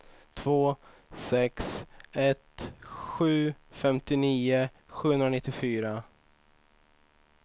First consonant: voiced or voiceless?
voiceless